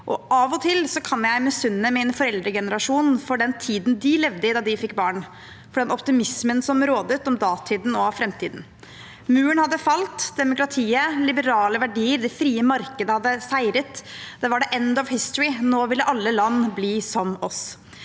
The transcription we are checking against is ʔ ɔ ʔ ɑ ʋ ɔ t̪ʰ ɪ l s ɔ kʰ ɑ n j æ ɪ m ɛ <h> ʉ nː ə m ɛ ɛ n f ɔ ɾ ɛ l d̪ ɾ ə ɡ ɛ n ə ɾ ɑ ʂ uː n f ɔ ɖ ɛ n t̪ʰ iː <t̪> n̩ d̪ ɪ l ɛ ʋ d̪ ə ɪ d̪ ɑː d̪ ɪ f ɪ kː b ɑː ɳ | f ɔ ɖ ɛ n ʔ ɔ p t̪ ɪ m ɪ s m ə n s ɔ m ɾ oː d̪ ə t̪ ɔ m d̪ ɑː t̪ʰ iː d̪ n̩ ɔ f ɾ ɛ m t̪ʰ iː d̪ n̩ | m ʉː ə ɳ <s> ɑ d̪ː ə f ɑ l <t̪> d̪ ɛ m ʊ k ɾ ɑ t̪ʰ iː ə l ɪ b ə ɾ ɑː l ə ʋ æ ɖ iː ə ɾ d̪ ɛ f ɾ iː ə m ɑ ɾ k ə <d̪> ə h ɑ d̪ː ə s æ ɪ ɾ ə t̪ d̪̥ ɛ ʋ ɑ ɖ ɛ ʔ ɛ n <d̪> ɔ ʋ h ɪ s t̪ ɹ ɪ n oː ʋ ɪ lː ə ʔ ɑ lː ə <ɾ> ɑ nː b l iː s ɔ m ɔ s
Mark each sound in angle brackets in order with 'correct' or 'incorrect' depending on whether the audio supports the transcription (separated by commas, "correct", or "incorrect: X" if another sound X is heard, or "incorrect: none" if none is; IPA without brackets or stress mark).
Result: incorrect: s, incorrect: d̪, incorrect: h, correct, correct, correct, incorrect: l